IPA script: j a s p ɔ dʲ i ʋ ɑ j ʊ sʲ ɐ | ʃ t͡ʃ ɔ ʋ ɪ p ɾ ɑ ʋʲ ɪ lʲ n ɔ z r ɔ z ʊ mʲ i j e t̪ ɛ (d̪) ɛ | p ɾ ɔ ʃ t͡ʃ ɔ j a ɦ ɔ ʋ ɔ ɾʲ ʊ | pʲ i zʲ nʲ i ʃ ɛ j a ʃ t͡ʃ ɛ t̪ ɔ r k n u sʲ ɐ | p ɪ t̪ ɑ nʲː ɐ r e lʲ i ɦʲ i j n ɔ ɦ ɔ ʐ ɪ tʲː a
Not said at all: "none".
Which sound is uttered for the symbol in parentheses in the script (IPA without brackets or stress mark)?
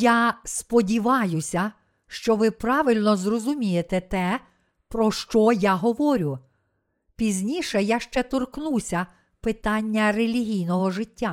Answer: t̪